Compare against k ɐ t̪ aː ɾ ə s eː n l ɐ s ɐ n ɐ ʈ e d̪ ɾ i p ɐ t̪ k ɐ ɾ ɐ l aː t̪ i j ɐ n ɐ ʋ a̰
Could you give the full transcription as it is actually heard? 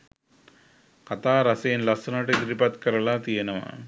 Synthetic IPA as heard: k ɐ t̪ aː ɾ ɐ s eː n l ɐ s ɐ n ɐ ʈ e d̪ ɾ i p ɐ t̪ k ɐ ɾ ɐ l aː t̪ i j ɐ n ɐ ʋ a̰